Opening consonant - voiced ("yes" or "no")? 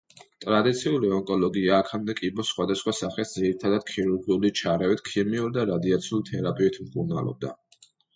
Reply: no